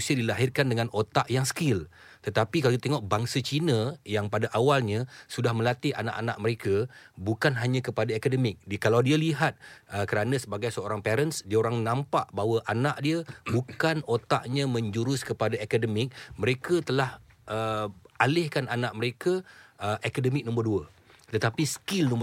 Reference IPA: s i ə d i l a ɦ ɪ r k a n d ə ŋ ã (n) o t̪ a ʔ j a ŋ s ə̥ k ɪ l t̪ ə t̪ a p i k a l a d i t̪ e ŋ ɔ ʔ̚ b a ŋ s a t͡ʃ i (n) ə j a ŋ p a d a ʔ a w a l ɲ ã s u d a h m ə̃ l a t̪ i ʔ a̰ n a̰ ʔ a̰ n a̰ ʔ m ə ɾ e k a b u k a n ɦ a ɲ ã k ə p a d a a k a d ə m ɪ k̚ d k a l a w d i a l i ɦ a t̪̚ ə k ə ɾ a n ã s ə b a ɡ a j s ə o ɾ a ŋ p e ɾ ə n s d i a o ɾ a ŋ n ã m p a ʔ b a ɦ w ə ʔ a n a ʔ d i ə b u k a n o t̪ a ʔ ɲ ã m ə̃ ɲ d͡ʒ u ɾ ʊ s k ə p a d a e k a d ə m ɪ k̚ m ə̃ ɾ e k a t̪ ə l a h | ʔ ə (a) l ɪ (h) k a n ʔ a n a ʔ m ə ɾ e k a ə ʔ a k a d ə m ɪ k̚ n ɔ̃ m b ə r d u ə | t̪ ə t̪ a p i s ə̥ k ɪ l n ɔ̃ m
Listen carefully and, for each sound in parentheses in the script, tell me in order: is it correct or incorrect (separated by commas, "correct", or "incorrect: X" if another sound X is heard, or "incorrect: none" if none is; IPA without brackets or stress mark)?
correct, correct, correct, correct